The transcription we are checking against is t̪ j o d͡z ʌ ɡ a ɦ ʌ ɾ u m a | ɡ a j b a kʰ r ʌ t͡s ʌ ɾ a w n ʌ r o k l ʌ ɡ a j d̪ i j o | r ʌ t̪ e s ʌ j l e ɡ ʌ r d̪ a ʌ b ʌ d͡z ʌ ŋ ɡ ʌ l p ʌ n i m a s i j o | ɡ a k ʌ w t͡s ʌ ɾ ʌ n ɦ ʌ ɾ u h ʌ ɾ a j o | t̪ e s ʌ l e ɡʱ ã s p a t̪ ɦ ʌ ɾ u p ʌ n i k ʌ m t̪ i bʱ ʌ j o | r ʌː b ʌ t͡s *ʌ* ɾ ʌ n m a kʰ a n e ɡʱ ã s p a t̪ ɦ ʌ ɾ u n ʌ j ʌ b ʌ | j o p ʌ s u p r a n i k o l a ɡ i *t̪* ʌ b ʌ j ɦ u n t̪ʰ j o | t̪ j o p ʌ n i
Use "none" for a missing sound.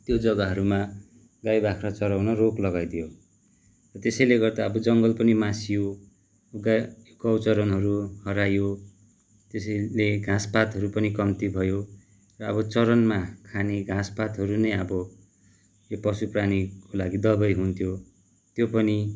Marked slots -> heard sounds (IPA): ʌ, d̪

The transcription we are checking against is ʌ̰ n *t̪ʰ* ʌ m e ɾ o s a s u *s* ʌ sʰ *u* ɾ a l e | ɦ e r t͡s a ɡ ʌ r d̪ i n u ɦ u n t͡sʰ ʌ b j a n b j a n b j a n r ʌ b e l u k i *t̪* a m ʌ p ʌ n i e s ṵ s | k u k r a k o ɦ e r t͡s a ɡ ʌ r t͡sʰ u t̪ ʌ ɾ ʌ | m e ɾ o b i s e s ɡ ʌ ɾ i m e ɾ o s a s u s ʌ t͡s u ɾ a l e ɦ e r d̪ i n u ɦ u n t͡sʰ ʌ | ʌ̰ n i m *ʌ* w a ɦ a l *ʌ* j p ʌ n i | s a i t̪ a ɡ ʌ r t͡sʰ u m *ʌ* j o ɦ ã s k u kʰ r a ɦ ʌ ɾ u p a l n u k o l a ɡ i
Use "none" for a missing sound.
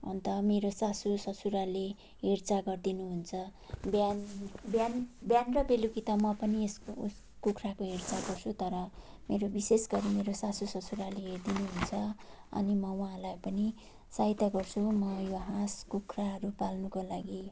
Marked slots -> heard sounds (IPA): t̪, s, u, t̪, ʌ, a, ʌ

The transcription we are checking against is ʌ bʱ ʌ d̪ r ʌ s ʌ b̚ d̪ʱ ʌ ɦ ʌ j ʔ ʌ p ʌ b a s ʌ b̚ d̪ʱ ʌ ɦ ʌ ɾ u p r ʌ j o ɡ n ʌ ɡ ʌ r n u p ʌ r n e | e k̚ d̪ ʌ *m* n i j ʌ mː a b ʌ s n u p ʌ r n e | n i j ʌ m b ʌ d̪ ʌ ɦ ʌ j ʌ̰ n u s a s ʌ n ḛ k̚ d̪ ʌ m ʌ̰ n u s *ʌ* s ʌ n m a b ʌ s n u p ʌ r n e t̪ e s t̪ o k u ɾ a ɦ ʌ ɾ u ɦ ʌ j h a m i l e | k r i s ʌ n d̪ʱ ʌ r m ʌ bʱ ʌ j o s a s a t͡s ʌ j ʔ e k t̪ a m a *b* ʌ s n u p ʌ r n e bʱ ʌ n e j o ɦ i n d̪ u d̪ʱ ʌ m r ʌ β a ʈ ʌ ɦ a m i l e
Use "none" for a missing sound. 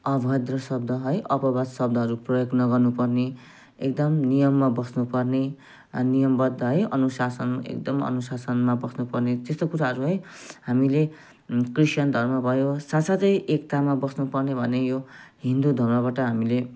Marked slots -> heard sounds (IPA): m, a, b

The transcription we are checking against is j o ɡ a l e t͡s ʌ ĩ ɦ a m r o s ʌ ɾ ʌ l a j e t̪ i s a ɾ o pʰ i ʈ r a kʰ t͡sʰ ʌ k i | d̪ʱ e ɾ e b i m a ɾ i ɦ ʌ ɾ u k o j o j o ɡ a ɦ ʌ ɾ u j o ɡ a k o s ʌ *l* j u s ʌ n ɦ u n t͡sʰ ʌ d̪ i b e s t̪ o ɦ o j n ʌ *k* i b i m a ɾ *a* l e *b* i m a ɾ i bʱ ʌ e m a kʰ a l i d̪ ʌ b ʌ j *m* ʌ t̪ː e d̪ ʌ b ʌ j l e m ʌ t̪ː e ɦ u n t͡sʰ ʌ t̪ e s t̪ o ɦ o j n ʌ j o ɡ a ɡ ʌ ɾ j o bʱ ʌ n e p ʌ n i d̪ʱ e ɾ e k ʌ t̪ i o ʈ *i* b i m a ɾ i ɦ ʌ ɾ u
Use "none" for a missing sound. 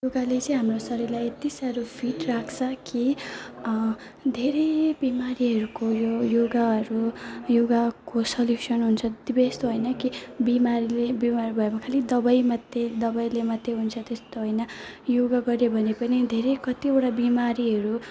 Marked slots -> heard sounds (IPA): l, k, i, b, m, a

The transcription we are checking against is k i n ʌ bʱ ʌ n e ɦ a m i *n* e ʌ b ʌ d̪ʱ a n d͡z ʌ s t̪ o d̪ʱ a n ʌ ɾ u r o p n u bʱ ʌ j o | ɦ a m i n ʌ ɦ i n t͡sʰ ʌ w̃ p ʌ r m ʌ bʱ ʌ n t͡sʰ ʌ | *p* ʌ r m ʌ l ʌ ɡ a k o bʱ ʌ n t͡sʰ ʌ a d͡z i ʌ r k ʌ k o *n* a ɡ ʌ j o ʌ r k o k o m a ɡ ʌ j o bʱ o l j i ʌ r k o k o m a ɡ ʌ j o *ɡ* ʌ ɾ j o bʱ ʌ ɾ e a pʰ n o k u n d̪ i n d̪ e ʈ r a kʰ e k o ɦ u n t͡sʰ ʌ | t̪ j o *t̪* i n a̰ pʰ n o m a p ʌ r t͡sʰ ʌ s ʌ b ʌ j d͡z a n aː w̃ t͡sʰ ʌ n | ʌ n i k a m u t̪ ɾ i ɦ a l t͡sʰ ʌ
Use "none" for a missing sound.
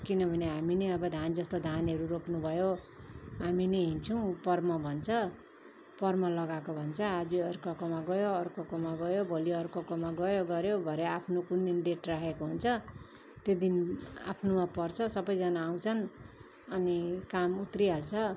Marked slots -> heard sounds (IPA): n, p, m, ɡ, d̪

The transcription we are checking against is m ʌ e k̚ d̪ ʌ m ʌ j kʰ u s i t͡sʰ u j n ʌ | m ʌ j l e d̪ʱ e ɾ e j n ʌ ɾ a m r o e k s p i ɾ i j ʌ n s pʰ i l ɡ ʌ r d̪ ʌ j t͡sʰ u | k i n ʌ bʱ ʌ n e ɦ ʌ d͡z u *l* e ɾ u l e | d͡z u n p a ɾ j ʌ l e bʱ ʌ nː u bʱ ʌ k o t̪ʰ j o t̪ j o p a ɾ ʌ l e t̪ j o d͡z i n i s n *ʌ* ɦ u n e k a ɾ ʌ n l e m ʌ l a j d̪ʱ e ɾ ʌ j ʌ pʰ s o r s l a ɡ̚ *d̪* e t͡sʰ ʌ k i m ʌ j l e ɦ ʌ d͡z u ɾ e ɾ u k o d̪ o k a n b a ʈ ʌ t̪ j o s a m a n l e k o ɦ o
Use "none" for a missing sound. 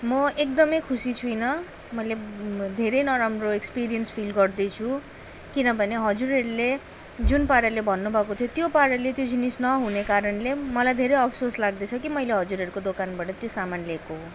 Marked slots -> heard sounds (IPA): ɾ, ʌ, d̪

